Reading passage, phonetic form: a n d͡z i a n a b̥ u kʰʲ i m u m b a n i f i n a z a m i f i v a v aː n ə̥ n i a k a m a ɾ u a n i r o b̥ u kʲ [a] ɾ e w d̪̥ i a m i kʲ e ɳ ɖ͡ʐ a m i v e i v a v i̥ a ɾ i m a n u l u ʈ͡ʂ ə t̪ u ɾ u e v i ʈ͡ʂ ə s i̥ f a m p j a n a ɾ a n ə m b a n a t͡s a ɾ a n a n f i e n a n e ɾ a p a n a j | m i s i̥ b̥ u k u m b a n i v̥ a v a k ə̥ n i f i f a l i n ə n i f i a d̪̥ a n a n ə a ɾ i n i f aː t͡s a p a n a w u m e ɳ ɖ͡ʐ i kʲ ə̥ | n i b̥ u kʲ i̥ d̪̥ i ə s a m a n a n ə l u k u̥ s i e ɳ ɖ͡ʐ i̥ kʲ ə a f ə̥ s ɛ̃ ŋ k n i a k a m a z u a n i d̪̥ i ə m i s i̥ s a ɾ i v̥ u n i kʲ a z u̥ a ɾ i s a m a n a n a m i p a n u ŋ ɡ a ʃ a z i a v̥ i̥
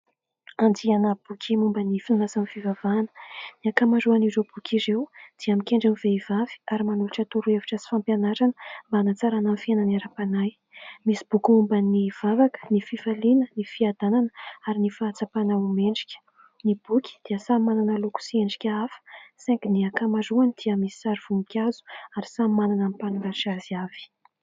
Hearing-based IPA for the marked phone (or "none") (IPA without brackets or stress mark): i